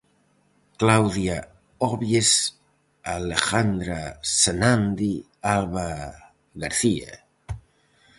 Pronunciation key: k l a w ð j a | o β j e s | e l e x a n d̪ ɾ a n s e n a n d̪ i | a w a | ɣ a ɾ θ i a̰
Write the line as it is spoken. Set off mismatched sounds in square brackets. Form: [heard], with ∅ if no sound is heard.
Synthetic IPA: k l a w ð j a | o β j e s | [a] l e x a n d̪ ɾ a [∅] s e n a n d̪ i | a [β] a | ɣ a ɾ θ i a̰